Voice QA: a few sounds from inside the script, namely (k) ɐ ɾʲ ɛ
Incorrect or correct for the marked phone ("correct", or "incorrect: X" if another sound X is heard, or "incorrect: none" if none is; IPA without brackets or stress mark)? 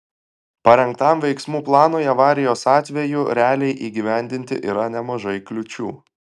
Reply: incorrect: p